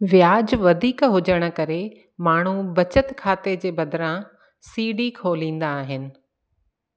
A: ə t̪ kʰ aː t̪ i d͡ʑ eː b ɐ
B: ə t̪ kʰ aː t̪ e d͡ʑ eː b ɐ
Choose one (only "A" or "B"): B